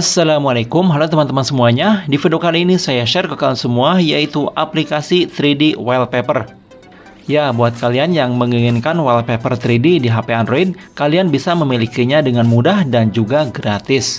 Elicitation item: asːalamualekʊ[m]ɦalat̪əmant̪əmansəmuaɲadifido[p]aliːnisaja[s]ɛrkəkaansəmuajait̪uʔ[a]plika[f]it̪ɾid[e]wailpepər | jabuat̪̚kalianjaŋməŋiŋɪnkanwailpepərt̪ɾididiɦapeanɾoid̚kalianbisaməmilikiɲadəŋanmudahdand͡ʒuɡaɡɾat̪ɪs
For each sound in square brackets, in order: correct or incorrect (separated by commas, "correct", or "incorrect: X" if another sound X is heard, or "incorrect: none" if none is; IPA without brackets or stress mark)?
correct, incorrect: k, incorrect: ʃ, correct, incorrect: s, incorrect: i